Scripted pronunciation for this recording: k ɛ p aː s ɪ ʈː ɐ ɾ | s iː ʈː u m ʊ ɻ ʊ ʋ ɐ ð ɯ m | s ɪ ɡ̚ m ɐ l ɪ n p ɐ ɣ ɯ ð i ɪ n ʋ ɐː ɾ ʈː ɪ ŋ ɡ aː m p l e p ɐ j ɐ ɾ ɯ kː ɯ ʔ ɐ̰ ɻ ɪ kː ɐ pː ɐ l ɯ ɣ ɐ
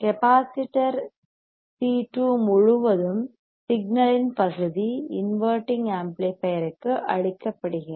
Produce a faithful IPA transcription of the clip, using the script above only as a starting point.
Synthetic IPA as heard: k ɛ p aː s ɪ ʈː ɐ ɾ | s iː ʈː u m ʊ ɻ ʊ ʋ ɐ ð ɯ m | s ɪ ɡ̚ n ɐ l ɪ n p ɐ ɣ ɯ ð i ɪ n ʋ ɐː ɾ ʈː ɪ ŋ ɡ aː m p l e p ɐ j ɐ ɾ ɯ kː ɯ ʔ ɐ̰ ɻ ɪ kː ɐ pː ɐ ɽ ɯ ɣ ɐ